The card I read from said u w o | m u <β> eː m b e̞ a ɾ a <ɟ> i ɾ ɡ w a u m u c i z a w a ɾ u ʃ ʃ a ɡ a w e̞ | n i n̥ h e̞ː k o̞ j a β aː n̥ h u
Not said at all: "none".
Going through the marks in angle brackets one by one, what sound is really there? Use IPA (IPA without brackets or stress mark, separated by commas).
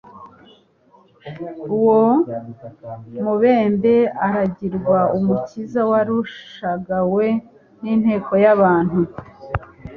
β, ɟ